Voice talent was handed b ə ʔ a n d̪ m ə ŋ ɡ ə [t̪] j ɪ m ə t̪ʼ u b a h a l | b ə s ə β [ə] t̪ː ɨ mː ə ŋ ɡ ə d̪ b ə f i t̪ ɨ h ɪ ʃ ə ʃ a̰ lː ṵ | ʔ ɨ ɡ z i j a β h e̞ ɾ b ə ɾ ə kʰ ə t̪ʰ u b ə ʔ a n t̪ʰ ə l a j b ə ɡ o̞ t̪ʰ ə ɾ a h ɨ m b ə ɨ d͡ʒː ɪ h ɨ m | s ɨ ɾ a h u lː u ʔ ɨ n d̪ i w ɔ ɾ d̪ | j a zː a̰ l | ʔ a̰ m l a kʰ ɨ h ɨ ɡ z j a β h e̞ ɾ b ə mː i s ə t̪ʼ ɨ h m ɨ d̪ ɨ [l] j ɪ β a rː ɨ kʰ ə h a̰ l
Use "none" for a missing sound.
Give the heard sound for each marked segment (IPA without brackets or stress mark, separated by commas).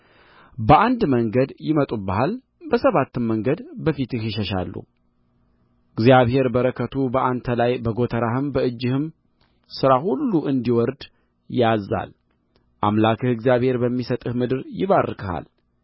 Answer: d̪, a, ɾ